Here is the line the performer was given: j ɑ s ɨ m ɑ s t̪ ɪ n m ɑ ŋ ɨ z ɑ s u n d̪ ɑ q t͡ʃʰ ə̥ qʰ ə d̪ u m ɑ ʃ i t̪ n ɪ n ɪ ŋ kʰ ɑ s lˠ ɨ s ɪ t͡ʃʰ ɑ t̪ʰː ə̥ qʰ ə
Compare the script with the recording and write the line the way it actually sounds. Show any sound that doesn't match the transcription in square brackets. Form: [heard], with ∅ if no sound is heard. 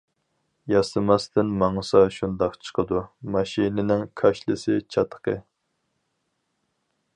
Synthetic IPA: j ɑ s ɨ m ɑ s t̪ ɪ n m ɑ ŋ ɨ [s] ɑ [ʃ] u n d̪ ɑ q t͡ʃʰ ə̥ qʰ ə d̪ u m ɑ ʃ i [∅] n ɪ n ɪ ŋ kʰ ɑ [ʃ] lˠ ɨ s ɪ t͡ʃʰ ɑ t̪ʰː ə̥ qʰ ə